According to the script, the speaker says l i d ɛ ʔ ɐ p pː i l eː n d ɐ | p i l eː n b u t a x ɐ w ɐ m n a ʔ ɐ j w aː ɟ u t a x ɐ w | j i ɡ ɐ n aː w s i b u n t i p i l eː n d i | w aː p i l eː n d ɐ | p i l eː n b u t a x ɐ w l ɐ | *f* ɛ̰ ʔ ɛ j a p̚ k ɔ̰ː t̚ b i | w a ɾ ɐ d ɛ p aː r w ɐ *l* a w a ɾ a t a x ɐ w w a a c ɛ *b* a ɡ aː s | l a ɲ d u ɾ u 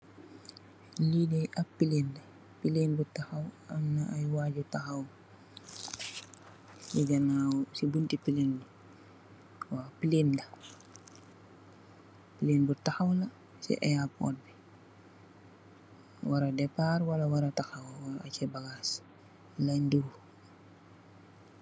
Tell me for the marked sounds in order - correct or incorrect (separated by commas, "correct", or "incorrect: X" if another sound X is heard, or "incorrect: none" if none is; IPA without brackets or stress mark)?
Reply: incorrect: s, correct, correct